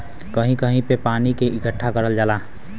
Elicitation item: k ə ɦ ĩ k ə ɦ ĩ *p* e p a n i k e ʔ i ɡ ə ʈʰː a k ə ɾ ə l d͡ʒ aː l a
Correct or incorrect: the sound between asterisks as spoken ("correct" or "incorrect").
correct